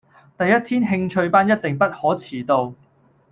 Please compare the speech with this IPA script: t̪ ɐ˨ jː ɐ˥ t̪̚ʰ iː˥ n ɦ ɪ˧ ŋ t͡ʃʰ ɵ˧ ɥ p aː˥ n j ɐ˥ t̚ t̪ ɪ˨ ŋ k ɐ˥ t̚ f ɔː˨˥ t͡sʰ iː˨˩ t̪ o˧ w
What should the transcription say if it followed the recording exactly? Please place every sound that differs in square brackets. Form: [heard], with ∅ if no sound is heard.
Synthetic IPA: t̪ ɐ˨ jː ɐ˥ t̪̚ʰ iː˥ n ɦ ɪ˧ ŋ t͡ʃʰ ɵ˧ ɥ p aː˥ n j ɐ˥ t̚ t̪ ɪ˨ ŋ [p] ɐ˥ t̚ [h] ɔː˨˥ t͡sʰ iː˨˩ t̪ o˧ w